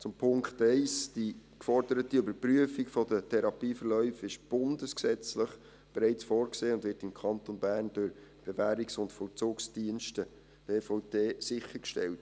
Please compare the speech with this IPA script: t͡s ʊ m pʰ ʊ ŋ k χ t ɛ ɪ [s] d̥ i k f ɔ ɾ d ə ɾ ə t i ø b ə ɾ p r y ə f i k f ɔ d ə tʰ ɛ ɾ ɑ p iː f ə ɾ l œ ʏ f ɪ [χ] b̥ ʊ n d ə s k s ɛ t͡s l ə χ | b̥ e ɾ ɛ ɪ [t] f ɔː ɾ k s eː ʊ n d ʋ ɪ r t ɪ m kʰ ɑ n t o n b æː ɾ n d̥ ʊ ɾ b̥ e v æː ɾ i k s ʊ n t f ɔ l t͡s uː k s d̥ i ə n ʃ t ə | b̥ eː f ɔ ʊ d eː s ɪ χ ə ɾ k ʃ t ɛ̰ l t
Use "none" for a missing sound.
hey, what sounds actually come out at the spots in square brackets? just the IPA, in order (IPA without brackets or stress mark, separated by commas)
s, ʃ, t͡s